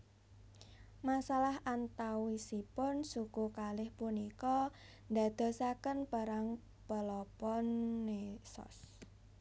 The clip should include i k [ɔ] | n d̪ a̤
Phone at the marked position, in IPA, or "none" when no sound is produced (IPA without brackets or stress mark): ɔ